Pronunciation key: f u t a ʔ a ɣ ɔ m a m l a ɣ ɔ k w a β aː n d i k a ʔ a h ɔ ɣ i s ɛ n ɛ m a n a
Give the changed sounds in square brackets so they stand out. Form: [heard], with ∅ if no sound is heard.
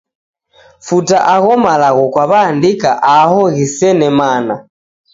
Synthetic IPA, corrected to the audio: f u t a ʔ a ɣ ɔ m a [∅] l a ɣ ɔ k w a β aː n d i k a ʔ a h ɔ ɣ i s ɛ n ɛ m a n a